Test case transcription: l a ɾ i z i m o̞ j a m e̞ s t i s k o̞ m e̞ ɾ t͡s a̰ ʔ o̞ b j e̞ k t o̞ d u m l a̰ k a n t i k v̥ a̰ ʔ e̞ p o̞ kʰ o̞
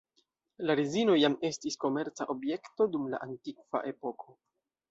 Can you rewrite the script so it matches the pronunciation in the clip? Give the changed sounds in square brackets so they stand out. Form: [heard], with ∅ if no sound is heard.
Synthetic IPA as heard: l a ɾ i z i [n] o̞ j a m e̞ s t i s k o̞ m e̞ ɾ t͡s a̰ ʔ o̞ b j e̞ k t o̞ d u m l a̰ [ʔ] a n t i k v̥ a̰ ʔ e̞ p o̞ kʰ o̞